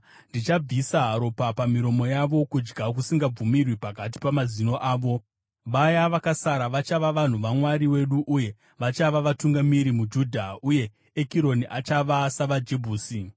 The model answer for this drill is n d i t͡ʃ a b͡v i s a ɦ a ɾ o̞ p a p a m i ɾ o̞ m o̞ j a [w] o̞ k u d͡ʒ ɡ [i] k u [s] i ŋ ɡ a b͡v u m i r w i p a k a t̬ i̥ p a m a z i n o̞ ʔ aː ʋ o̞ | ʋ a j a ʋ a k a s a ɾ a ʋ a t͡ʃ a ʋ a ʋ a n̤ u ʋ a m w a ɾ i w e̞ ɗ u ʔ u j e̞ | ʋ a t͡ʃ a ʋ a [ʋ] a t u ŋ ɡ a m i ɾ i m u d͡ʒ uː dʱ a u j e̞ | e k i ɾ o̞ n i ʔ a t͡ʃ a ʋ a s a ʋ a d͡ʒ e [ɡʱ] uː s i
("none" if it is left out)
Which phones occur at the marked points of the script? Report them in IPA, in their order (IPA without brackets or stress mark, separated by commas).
ʋ, a, s, ʋ, bʱ